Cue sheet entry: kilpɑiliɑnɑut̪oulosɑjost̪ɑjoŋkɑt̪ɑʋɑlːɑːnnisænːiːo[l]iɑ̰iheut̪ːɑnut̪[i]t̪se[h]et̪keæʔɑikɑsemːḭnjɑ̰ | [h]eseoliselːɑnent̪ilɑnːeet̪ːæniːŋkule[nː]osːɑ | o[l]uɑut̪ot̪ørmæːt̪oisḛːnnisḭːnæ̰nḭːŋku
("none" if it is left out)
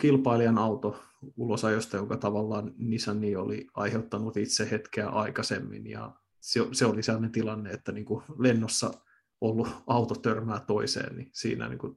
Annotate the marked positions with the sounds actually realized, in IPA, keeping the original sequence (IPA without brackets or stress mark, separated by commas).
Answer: l, i, h, s, nː, lː